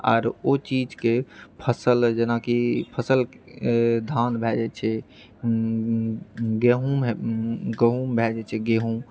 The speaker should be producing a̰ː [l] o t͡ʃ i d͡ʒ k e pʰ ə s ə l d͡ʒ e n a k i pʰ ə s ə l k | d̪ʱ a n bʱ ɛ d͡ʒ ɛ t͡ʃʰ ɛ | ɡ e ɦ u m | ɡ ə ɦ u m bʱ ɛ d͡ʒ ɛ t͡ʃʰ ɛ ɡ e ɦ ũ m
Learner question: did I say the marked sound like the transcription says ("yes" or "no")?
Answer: no